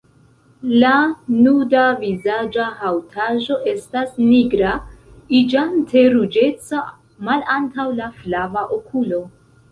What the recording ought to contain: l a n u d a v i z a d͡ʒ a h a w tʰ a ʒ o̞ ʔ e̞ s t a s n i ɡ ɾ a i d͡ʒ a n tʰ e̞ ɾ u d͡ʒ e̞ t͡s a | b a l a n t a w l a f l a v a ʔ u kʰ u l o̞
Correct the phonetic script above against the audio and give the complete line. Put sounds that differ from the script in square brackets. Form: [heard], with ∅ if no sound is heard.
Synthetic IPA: l a n u d a v i z a d͡ʒ a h a w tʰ a ʒ o̞ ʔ e̞ s t a s n i ɡ ɾ a i d͡ʒ a n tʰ e̞ ɾ u d͡ʒ e̞ t͡s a | [m] a l a n t a w l a f l a v a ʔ [o] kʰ u l o̞